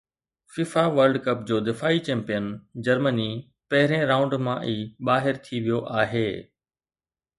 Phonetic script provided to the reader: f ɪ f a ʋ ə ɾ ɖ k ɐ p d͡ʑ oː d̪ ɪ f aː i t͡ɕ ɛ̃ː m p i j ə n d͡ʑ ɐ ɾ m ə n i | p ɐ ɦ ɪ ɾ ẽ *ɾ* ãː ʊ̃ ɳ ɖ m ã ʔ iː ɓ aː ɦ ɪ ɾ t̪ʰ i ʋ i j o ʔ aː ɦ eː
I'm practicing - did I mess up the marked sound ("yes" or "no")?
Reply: no